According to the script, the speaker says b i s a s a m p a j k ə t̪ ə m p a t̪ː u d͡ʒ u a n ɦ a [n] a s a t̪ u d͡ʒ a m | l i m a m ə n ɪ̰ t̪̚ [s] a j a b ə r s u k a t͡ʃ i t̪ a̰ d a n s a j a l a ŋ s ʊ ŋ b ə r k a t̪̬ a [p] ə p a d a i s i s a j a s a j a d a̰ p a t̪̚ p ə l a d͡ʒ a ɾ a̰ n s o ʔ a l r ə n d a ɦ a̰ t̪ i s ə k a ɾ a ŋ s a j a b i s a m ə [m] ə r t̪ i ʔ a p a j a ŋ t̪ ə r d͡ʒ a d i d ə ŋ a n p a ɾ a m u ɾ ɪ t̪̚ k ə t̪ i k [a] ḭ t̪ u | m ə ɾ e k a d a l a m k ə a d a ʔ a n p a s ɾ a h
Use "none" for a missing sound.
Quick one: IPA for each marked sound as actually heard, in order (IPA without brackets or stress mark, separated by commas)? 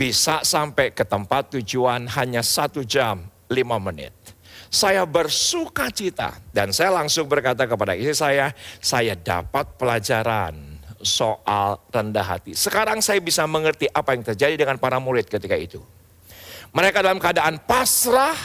ɲ, s, k, ŋ, a